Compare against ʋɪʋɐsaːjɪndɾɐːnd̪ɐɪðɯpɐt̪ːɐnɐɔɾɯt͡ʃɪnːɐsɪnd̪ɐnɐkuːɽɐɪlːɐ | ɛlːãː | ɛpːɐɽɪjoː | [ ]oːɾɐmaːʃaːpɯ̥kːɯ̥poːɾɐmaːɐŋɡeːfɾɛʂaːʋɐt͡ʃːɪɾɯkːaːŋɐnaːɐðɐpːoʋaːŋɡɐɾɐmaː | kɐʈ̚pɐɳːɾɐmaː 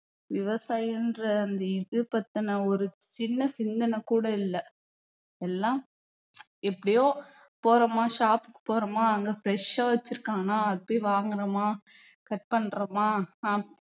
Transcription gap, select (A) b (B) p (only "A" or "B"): B